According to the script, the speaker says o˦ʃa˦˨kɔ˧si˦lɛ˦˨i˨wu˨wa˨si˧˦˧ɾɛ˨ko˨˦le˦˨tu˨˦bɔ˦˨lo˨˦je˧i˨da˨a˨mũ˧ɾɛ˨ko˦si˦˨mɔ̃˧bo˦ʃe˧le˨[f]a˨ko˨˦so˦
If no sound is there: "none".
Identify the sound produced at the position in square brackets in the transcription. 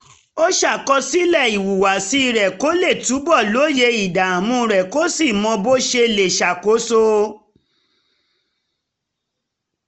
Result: ʃ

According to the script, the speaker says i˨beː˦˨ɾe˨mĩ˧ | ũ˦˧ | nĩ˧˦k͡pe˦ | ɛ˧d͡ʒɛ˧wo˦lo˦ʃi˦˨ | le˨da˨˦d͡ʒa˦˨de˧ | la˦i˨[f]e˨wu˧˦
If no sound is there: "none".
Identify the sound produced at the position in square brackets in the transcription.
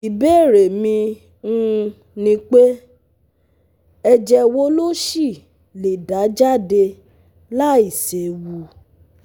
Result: s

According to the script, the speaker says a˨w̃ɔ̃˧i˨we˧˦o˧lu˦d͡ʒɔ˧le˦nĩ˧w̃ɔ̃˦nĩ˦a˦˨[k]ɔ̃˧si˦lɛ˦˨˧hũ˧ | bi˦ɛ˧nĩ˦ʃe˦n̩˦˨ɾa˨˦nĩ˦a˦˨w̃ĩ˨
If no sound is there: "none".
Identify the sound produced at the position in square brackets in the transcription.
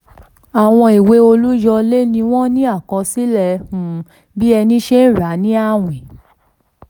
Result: k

